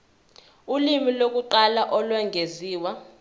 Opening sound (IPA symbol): u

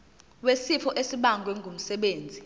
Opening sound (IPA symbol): w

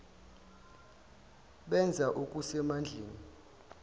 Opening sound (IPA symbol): ɓ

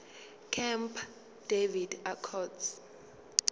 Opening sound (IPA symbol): kʰ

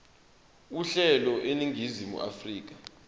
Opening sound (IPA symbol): u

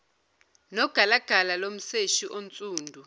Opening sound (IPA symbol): n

